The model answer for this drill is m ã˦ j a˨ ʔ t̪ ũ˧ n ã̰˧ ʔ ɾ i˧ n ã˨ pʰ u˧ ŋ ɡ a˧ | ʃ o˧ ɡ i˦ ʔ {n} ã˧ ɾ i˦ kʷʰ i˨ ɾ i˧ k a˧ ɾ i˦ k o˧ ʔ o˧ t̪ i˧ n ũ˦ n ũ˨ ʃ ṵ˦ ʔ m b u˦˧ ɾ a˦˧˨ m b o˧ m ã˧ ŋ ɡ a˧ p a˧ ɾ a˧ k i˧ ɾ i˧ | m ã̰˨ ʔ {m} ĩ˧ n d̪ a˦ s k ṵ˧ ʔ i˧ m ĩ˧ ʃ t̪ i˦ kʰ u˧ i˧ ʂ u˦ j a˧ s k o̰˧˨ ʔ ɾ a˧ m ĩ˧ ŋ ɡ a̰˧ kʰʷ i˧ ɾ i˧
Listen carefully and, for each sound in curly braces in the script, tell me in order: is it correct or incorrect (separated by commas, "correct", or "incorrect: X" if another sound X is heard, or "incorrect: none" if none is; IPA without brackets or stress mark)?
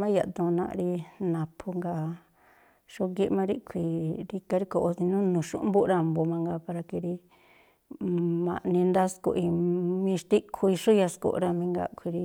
incorrect: m, incorrect: n